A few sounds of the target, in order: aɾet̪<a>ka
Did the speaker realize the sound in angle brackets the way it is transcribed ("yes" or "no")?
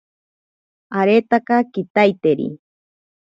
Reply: yes